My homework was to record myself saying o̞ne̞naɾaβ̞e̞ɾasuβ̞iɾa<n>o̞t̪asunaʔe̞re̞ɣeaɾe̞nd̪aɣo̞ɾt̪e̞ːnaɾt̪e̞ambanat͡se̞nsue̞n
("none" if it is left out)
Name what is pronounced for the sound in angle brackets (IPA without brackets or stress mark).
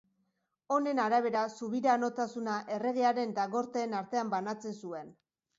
n